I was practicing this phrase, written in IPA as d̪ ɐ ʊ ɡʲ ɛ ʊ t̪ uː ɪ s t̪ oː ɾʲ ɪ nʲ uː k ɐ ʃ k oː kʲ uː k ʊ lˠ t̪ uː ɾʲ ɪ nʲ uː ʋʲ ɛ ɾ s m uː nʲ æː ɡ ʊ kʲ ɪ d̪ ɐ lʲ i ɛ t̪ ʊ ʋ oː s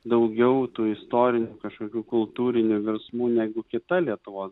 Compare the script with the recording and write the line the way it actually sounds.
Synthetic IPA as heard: d̪ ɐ ʊ ɡʲ ɛ ʊ t̪ uː ɪ s t̪ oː ɾʲ ɪ nʲ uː k ɐ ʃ k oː kʲ uː k ʊ lˠ t̪ uː ɾʲ ɪ nʲ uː ʋʲ ɛ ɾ s m uː nʲ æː ɡ ʊ kʲ ɪ t̪ ɐ lʲ i ɛ t̪ ʊ ʋ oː s